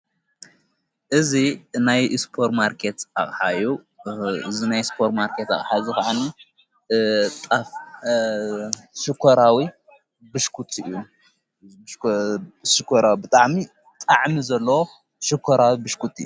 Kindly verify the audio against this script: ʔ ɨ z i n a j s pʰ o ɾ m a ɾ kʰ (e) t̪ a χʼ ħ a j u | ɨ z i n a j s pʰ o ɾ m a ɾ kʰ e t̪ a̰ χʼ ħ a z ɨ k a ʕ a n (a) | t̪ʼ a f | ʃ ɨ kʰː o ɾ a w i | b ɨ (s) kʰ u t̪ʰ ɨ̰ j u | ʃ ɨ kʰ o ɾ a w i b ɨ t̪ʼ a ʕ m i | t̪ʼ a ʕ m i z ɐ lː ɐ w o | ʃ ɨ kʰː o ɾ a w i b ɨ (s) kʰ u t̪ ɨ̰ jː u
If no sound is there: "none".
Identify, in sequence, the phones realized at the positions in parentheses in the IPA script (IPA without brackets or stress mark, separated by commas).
e, i, ʃ, ʃ